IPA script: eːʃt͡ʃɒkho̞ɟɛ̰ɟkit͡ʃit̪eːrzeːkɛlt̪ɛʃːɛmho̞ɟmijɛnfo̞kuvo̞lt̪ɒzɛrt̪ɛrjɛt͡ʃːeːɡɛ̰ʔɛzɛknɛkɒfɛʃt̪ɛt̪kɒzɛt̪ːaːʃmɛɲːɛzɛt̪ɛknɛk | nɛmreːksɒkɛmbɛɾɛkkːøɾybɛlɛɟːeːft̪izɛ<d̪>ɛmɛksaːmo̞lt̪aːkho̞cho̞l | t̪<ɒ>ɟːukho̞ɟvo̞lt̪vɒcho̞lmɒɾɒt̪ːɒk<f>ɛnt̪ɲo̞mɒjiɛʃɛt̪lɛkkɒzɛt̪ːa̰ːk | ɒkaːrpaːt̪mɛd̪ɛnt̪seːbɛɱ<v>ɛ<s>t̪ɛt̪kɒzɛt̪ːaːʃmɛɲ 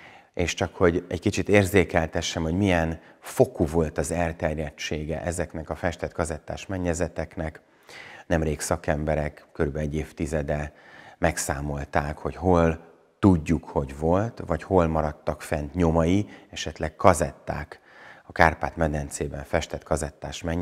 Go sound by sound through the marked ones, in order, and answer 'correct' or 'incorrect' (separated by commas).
correct, incorrect, correct, incorrect, incorrect